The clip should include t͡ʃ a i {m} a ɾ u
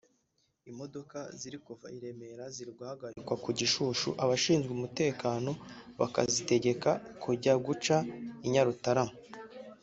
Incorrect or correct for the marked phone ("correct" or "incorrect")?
incorrect